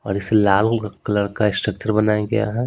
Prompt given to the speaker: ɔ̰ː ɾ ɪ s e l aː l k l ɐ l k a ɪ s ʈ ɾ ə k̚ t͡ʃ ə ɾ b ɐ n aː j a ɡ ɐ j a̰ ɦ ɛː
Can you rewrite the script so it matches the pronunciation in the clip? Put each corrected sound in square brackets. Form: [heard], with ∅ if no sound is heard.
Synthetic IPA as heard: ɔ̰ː ɾ ɪ s e l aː l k l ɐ [ɽ] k a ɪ s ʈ ɾ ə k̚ t͡ʃ ə ɾ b ɐ n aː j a ɡ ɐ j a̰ ɦ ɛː